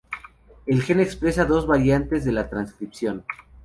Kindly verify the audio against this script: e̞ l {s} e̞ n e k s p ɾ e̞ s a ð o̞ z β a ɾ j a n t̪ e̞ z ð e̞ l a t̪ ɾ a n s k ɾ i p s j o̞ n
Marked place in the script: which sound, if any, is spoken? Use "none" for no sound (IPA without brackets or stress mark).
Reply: x